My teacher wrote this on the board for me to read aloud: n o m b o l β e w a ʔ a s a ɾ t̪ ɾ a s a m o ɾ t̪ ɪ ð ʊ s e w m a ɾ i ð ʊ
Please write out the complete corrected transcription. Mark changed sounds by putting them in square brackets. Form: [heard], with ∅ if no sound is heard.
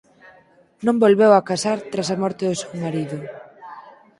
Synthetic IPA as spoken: n [õ] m b o l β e w a [k] a s a ɾ t̪ ɾ a s a m [ɔ] ɾ t̪ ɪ ð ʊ s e w m a ɾ i ð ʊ